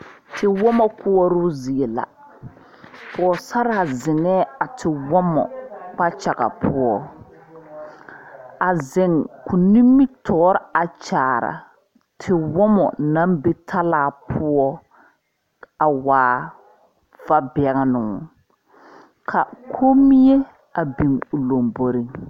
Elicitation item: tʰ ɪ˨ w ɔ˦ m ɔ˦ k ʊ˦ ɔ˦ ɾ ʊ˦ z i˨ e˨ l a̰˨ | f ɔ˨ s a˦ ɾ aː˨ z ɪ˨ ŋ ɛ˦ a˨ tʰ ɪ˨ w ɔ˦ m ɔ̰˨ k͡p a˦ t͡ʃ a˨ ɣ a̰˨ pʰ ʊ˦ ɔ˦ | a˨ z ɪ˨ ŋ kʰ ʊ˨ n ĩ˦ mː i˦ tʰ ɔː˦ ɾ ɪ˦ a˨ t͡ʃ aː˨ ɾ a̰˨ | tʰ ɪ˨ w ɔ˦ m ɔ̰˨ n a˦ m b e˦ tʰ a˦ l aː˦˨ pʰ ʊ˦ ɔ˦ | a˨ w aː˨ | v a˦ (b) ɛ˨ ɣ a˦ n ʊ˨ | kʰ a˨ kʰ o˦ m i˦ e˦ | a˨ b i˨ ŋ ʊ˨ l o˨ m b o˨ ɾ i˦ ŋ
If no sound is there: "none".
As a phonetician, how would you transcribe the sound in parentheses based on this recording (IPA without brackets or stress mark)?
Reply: b